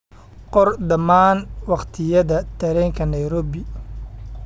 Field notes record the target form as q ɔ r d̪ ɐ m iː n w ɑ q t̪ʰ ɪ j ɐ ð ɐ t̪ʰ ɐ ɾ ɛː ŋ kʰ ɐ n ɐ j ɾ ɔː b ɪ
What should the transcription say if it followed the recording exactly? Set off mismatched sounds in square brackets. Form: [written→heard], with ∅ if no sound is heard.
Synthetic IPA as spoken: q ɔ r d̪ ɐ m [iː→aː] n w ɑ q t̪ʰ ɪ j ɐ ð ɐ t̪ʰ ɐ ɾ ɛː ŋ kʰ ɐ n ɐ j ɾ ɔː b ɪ